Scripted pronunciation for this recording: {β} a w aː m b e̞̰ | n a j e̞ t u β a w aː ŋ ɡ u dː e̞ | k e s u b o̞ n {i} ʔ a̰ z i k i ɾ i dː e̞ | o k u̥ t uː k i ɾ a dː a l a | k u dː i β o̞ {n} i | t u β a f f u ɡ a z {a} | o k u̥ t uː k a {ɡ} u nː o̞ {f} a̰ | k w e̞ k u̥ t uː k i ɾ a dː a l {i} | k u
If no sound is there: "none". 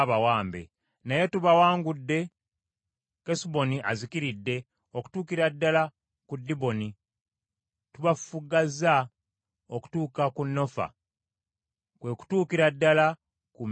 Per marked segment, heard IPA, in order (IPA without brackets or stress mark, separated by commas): β, i, n, a, k, f, a